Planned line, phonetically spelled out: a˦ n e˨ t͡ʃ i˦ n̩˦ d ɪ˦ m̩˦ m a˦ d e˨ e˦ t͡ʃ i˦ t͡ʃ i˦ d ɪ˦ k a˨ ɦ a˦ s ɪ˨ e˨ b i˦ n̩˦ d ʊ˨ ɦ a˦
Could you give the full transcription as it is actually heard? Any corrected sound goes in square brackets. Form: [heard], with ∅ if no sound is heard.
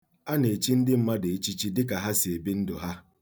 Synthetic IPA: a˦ n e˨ t͡ʃ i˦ n̩˦ d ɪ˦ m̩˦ m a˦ d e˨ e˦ t͡ʃ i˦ t͡ʃ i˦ d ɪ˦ k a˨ ɦ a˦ s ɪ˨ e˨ b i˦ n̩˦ d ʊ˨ ɦ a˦

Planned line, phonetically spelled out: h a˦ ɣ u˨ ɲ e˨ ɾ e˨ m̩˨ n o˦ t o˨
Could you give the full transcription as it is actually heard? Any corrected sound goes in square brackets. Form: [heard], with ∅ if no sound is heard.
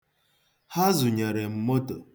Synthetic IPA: h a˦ [z] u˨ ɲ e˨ ɾ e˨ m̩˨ [m] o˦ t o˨

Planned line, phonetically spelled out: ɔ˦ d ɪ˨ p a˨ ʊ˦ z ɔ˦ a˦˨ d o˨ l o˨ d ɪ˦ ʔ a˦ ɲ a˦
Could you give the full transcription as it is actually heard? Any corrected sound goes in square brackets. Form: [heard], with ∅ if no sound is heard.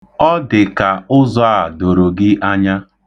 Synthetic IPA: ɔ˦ d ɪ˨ [k] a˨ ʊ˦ z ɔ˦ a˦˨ d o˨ [ɾ] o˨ [ɡ] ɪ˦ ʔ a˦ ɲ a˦

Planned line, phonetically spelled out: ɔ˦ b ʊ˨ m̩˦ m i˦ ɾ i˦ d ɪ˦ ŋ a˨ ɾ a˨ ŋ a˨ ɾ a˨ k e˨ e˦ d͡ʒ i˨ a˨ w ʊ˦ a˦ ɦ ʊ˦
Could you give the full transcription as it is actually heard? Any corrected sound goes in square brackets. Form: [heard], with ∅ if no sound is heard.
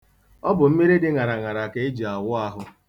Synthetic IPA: ɔ˦ b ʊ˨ m̩˦ m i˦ ɾ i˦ d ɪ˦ ŋ a˨ ɾ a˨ ŋ a˨ ɾ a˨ k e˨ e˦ d͡ʒ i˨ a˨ w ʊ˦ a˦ ɦ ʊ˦

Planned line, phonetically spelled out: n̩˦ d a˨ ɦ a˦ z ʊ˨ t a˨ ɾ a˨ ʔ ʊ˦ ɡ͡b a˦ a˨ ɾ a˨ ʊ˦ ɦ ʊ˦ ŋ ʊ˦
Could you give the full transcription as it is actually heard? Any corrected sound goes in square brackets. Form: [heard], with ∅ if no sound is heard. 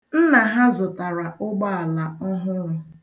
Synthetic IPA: n̩˦ [n] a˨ ɦ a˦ z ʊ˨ t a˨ ɾ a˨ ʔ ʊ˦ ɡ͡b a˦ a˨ [l] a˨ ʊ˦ ɦ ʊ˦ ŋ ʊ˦

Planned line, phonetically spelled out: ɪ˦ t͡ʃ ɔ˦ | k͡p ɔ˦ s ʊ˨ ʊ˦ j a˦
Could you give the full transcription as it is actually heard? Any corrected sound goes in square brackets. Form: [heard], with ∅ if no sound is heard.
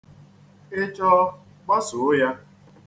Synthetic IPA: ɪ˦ t͡ʃ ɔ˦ | k͡p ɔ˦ s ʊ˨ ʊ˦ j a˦

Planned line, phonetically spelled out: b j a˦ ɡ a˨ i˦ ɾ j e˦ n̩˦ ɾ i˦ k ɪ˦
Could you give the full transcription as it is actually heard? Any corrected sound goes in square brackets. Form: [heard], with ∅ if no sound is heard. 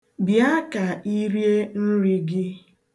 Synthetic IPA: b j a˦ [k] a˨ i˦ ɾ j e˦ n̩˦ ɾ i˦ [ɡ] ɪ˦

